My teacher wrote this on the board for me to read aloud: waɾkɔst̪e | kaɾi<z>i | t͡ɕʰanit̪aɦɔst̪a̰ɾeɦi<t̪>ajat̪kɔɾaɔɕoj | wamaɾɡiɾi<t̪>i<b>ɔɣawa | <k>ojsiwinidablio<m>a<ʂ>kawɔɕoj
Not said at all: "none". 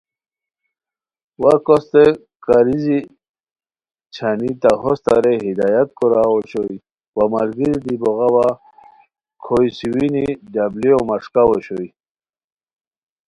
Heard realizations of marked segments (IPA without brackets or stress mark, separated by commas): z, d̪, d̪, b, kʰ, m, ʂ